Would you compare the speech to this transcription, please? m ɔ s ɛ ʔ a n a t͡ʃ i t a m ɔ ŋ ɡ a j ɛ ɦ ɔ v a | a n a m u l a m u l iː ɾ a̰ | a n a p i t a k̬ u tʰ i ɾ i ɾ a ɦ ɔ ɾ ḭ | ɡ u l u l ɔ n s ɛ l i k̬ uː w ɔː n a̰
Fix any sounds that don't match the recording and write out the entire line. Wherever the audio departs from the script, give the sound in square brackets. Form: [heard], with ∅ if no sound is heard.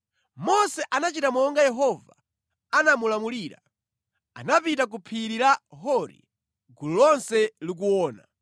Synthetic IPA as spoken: m ɔ s ɛ ʔ a n a t͡ʃ i t a m ɔ ŋ ɡ a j ɛ ɦ ɔ v a | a n a m u l a m u l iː ɾ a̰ | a n a p i t a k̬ u [pʰ] i ɾ i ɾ a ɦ ɔ ɾ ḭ | ɡ u l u l ɔ n s ɛ l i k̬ [u] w ɔː n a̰

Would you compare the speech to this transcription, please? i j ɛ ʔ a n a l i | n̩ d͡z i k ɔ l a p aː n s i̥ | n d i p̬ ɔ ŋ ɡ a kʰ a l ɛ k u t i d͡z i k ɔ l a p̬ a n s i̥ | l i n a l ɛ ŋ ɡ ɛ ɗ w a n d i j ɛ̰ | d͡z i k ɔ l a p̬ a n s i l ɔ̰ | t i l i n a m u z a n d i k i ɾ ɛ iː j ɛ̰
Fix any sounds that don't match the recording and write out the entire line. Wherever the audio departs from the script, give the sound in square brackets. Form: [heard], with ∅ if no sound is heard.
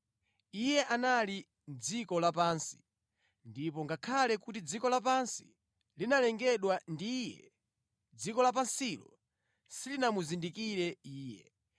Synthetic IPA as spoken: i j ɛ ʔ a n a l i | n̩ d͡z i k ɔ l a p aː n s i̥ | n d i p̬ ɔ ŋ ɡ a kʰ a l ɛ k u t i d͡z i k ɔ l a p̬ a n s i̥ | l i n a l ɛ ŋ ɡ ɛ ɗ w a n d i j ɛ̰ | d͡z i k ɔ l a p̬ a n s i l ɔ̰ | [s] i l i n a m u z [i] n d i k i ɾ ɛ iː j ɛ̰

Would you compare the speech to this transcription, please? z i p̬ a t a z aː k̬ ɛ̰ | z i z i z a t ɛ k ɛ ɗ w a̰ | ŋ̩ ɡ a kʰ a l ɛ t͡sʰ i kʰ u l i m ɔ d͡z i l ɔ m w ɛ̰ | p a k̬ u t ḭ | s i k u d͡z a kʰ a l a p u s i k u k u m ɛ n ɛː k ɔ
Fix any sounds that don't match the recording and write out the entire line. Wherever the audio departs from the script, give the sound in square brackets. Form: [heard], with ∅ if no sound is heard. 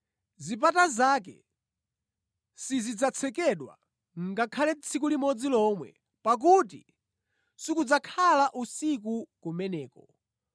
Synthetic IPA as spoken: z i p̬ a t a z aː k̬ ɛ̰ | [s] i z i [d͡z] a [t͡sʰ] ɛ k ɛ ɗ w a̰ | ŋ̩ ɡ a kʰ a l ɛ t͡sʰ i [k] u l i m ɔ d͡z i l ɔ m w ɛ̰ | p a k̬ u t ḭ | s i k u d͡z a kʰ a l a [ʔ] u s i k u k u m ɛ n ɛː k ɔ

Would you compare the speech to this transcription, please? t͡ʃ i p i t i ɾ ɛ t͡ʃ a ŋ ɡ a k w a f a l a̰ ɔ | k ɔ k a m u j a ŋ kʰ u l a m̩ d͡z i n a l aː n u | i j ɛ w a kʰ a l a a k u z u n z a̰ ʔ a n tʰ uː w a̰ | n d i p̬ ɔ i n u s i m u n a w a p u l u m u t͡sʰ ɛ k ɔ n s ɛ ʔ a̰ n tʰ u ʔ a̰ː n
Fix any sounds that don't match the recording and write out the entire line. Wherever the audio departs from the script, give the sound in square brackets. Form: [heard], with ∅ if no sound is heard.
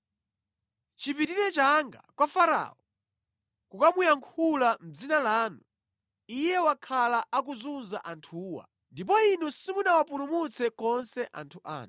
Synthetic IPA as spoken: t͡ʃ i p i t i ɾ ɛ t͡ʃ a ŋ ɡ a k w a f a [ɾ] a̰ ɔ | k [u] k a m u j a ŋ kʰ u l a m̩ d͡z i n a l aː n u | i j ɛ w a kʰ a l a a k u z u n z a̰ ʔ a n tʰ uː w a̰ | n d i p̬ ɔ i n u s i m u n a w a p u l u m u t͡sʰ ɛ k ɔ n s ɛ ʔ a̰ n tʰ u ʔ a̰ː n

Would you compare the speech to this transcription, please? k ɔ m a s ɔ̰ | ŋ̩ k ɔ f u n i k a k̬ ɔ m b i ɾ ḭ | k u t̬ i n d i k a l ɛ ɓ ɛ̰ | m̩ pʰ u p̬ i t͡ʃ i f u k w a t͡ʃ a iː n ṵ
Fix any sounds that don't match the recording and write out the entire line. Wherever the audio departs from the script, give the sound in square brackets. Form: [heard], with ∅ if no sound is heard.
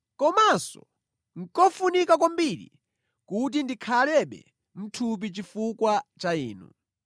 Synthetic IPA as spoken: k ɔ m a s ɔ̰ | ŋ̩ k ɔ f u n i k a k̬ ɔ m b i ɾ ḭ | k u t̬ i n d i [kʰ] a l ɛ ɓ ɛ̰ | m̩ [tʰ] u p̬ i t͡ʃ i f u k w a t͡ʃ a iː n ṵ

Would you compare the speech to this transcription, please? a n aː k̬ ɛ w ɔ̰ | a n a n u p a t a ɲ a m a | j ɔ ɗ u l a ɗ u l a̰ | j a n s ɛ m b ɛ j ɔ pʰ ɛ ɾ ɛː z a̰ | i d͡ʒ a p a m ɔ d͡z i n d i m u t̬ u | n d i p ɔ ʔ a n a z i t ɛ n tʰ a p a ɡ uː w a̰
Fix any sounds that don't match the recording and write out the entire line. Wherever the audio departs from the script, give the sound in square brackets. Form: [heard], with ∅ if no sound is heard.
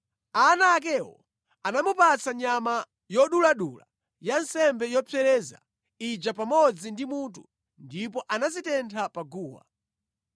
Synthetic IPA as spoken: a n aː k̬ ɛ w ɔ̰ | a n a [m] u p a [t͡s] a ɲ a m a | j ɔ ɗ u l a ɗ u l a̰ | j a n s ɛ m b ɛ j ɔ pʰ ɛ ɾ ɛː z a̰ | i d͡ʒ a p a m ɔ d͡z i n d i m u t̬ u | n d i p ɔ ʔ a n a z i t ɛ n tʰ a p a ɡ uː w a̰

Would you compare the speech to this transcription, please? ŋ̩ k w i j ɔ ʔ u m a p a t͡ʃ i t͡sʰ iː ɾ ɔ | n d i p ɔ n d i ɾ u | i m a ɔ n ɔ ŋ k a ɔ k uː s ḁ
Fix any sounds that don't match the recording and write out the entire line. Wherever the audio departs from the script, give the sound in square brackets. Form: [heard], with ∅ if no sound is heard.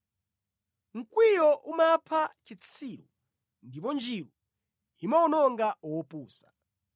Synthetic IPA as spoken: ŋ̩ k w i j ɔ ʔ u m a [pʰ] a t͡ʃ i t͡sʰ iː ɾ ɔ | n d i p ɔ n [d͡ʒ] i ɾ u | i m a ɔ n ɔ ŋ [ɡ] a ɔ [p] uː s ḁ

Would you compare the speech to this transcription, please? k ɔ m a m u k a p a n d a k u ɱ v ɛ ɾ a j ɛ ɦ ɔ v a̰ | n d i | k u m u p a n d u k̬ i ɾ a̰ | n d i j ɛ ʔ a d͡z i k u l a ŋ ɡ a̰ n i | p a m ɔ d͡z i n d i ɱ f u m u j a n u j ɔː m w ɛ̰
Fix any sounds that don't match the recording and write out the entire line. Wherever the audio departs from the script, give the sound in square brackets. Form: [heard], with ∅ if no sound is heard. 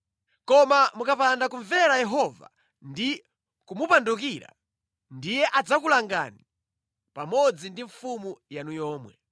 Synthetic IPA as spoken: k ɔ m a m u k a p a n d a k u ɱ v ɛ ɾ a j ɛ ɦ ɔ v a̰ | n d i | k u m u p a n d u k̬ i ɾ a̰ | n d i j ɛ ʔ a d͡z [a] k u l a ŋ ɡ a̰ n i | p a m ɔ d͡z i n d i ɱ f u m u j a n u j ɔː m w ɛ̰

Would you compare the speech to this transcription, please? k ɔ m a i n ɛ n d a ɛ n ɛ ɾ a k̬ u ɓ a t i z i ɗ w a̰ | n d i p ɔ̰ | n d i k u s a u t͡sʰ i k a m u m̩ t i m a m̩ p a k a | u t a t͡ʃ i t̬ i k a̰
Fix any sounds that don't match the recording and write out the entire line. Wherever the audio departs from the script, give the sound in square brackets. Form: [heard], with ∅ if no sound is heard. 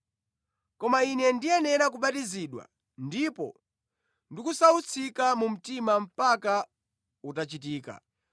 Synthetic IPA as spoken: k ɔ m a i n ɛ n d [i] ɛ n ɛ ɾ a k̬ u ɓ a t i z i ɗ w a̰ | n d i p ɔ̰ | n d i k u s a u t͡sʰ i k a m u m̩ t i m a m̩ p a k a | u t a t͡ʃ i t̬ [iː] k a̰

